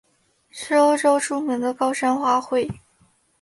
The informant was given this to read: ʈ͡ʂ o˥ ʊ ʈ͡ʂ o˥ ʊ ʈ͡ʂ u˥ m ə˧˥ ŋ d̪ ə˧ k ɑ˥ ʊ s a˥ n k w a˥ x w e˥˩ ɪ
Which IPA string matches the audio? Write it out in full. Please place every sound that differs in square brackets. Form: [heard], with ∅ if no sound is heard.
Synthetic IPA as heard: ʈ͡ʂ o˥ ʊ ʈ͡ʂ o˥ ʊ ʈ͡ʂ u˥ m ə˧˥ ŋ d̪ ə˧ k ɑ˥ ʊ [ʂ] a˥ n [x] w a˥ x w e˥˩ ɪ